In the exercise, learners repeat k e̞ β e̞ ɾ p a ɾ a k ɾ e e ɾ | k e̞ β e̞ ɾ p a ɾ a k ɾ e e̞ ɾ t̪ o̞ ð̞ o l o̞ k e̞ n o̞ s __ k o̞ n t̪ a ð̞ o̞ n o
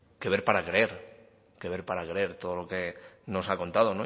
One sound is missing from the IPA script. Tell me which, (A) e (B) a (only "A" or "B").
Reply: B